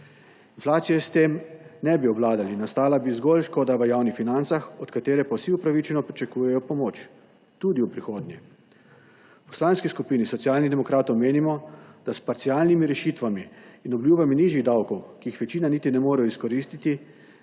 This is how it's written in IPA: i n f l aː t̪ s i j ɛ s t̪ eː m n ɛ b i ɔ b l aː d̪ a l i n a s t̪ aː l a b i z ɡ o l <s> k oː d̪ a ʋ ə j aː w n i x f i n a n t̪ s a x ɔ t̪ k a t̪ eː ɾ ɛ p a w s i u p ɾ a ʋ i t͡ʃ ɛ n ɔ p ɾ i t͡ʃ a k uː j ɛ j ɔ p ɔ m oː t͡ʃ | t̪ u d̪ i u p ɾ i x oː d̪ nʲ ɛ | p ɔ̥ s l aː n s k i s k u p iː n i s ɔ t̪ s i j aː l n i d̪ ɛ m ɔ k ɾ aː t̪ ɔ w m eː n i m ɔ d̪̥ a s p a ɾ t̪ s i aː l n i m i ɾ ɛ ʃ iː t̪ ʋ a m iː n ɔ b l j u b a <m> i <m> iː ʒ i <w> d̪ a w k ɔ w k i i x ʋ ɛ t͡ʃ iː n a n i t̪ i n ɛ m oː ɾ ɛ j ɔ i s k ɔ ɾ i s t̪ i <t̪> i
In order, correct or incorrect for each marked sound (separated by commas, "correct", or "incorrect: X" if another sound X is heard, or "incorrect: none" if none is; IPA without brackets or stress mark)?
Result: incorrect: ʃ, correct, incorrect: n, incorrect: ɣ, correct